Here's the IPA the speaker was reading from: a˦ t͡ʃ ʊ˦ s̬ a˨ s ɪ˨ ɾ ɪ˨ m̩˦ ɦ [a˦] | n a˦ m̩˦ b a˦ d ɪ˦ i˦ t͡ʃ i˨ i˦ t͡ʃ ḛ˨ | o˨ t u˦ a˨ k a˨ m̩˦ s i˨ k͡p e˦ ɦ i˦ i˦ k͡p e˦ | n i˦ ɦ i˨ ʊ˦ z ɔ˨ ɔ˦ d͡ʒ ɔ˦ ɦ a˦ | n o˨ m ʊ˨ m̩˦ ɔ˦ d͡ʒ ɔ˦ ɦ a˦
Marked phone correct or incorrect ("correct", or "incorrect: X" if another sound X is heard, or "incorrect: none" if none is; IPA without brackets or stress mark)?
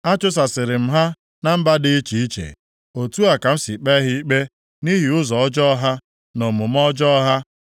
correct